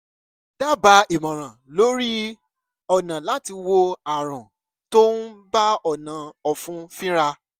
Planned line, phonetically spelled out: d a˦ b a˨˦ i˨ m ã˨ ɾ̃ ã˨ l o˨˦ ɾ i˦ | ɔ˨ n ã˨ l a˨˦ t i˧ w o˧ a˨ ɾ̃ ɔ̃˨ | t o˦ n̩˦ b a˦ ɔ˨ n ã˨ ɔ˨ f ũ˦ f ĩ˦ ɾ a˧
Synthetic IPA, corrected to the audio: d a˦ b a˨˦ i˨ m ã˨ ɾ̃ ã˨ l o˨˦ ɾ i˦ | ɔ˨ n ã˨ l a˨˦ t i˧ w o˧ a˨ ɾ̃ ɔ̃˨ | t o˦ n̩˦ b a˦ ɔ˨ n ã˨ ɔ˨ f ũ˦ f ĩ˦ ɾ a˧